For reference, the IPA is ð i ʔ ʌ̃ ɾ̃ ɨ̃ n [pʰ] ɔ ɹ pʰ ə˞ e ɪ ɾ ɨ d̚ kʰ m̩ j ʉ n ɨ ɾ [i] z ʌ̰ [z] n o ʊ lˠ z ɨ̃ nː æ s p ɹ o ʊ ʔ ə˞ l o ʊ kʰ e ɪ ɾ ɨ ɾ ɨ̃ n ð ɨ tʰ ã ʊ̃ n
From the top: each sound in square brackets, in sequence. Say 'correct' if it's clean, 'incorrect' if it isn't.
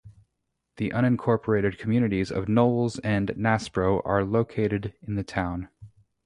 incorrect: kʰ, correct, incorrect: v

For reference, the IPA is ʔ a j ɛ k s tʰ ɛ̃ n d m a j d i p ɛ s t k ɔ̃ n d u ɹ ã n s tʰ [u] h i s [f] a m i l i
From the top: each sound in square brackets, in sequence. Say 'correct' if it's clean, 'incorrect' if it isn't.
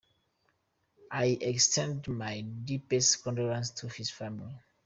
correct, correct

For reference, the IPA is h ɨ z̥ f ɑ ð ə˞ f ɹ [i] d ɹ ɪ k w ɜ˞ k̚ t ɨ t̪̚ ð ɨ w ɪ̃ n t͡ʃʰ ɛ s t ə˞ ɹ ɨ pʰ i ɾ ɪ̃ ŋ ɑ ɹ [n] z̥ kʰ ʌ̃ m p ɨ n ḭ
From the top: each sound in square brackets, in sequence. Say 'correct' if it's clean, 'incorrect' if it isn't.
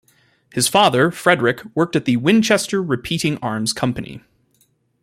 incorrect: ɛ, incorrect: m

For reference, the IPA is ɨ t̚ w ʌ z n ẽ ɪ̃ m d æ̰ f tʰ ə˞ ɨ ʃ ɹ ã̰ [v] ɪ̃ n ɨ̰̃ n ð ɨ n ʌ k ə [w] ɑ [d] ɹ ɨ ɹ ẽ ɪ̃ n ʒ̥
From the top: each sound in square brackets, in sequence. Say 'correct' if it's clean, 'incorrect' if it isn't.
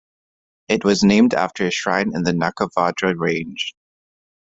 incorrect: none, incorrect: v, correct

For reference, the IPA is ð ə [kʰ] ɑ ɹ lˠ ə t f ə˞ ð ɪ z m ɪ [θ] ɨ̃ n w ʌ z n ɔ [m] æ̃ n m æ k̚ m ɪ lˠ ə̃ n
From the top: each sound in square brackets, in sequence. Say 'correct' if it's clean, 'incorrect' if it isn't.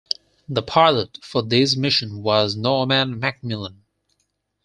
incorrect: pʰ, incorrect: ʃ, correct

